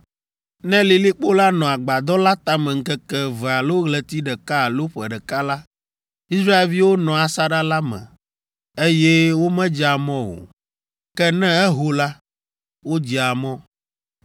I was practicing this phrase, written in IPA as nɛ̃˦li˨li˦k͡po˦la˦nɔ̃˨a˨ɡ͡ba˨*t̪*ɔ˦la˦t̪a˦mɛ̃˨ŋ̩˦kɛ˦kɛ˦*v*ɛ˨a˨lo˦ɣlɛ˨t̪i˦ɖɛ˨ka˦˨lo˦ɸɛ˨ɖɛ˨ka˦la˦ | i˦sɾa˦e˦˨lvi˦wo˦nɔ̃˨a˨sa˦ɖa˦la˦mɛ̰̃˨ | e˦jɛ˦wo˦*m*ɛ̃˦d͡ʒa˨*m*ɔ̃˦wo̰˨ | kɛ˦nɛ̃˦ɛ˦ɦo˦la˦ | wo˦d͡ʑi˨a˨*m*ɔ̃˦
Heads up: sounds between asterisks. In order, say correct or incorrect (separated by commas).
incorrect, correct, correct, correct, correct